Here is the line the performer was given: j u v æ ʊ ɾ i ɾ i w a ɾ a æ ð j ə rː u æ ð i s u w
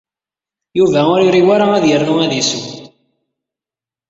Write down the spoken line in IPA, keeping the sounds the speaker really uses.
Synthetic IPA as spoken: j u v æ ʊ ɾ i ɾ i w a ɾ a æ ð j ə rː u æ ð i s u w